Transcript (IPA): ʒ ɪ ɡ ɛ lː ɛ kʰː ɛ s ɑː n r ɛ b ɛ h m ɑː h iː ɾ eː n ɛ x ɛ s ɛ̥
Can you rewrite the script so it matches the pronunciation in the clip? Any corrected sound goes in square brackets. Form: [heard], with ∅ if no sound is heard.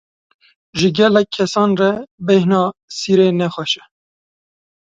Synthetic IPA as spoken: ʒ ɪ ɡ ɛ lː ɛ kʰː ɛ s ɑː n r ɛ b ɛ h [n] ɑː [s] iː ɾ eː n ɛ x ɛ [ʃ] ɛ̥